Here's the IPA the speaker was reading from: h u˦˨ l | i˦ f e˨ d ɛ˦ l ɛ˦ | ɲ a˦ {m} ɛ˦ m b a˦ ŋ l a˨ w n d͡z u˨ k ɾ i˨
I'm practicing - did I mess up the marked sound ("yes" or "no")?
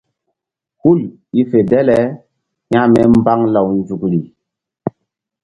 no